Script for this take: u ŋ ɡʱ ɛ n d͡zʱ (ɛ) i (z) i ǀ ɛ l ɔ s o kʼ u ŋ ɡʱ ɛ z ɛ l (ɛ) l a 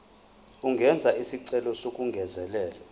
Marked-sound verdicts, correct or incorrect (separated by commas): incorrect, incorrect, incorrect